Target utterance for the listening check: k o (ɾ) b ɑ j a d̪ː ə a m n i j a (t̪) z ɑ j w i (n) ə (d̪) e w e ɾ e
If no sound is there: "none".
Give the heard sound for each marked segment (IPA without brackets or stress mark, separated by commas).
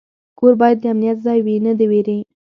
ɾ, t̪, n, d̪